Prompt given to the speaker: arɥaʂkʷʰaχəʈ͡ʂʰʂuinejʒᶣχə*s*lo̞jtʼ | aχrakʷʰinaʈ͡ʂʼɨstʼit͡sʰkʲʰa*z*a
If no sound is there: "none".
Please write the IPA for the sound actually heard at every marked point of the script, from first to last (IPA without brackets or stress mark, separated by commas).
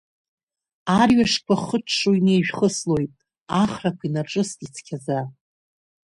s, z